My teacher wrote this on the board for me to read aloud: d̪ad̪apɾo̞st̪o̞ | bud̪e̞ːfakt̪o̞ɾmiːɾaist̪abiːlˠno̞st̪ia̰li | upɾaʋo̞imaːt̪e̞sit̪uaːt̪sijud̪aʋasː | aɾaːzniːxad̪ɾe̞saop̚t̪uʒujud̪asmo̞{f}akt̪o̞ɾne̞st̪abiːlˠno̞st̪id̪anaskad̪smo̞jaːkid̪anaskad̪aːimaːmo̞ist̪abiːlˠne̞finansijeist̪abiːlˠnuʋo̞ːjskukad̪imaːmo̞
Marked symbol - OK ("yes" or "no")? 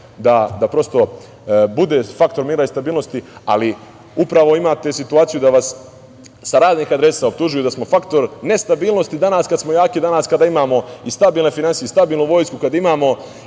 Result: yes